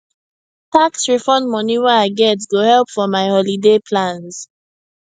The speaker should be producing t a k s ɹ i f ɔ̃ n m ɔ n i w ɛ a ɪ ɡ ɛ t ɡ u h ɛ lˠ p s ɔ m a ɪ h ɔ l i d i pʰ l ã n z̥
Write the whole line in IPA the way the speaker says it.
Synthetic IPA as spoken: t a k s ɹ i f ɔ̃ n m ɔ n i w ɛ a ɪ ɡ ɛ t ɡ o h ɛ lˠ p f ɔ m a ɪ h ɔ l i d e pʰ l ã n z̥